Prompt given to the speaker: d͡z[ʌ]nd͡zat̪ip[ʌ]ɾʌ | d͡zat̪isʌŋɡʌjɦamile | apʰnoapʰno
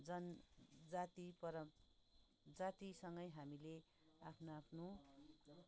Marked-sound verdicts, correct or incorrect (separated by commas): correct, correct